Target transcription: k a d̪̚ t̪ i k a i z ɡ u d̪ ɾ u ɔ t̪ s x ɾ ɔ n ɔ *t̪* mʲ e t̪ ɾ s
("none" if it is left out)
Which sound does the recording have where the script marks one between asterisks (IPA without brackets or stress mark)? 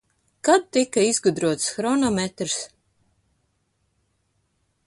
none